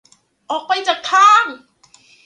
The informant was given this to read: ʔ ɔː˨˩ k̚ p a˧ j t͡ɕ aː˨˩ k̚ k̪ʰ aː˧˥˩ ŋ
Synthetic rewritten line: ʔ ɔː˨˩ k̚ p a˧ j t͡ɕ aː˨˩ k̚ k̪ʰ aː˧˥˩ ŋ